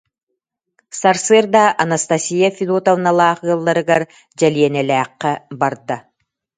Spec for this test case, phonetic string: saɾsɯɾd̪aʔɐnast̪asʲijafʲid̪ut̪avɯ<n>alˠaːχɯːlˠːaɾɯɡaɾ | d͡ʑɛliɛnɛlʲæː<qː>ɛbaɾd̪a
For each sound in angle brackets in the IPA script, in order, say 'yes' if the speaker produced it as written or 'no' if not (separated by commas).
yes, yes